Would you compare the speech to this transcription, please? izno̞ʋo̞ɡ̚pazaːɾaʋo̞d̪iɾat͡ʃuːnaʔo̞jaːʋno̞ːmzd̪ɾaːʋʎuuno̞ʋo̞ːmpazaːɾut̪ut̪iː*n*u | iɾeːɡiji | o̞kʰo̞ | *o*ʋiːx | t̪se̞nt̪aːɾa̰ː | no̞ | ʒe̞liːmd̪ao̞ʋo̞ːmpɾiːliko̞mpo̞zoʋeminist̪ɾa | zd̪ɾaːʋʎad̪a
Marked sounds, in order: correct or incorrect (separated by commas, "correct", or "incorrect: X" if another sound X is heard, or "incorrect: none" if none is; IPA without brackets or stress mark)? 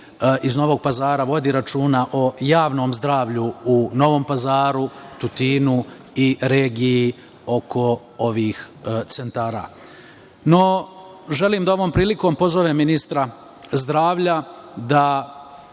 correct, correct